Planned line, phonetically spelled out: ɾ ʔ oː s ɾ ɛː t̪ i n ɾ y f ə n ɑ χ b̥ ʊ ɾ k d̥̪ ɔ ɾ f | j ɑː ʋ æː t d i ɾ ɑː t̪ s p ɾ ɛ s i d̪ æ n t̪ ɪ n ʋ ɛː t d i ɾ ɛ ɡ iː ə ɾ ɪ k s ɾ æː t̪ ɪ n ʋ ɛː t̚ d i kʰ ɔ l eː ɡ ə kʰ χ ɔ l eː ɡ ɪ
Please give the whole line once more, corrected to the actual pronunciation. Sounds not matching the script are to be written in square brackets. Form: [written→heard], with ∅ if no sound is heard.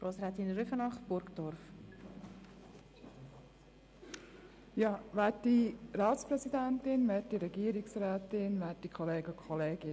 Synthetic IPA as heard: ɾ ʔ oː s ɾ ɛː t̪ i n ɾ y f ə n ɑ χ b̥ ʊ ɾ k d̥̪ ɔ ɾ f | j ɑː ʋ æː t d i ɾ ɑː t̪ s p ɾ ɛ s i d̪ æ n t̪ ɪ n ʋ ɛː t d i ɾ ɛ ɡ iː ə ɾ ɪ k s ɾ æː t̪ ɪ n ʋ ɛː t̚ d i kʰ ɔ l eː ɡ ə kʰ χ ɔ l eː ɡ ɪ